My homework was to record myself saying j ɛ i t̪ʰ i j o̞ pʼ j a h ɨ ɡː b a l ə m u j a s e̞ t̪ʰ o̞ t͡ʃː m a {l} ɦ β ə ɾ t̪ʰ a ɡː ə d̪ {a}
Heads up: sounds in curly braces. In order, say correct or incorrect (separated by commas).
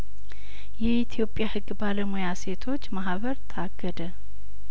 incorrect, incorrect